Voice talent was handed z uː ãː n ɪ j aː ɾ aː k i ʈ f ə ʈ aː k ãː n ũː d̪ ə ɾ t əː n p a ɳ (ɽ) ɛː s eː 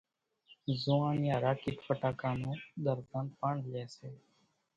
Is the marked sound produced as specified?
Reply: no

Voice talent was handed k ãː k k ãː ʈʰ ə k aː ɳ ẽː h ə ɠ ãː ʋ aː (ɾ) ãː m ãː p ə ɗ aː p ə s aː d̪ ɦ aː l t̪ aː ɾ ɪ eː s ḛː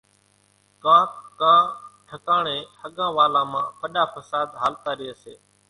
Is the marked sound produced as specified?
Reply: no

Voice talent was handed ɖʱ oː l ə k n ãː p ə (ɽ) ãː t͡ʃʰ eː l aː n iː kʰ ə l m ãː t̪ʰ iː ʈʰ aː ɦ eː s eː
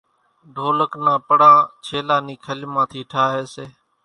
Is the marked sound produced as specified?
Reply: yes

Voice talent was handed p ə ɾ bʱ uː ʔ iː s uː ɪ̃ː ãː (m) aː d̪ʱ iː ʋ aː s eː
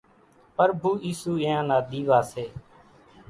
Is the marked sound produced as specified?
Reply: no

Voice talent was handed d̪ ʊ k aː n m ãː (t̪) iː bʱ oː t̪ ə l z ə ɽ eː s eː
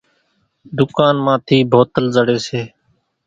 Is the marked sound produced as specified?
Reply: no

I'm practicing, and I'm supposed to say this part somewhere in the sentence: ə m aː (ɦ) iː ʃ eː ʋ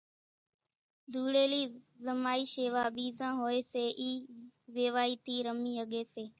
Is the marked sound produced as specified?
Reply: no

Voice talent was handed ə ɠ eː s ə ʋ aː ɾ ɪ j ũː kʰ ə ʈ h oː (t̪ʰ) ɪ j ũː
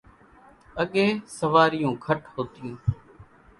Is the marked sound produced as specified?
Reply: no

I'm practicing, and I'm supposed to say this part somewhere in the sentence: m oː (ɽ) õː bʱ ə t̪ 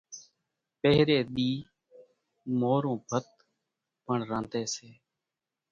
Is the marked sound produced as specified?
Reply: no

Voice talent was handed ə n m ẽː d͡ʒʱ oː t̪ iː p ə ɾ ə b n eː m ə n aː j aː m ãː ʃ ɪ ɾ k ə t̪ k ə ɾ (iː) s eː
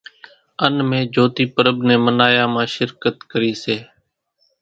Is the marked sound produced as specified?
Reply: yes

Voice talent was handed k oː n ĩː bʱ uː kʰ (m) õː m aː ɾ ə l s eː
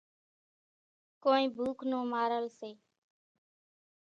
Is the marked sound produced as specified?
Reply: no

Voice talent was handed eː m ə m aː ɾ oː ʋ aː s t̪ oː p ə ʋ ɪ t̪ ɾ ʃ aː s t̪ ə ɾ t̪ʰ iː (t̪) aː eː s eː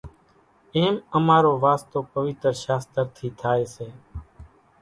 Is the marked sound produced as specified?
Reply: no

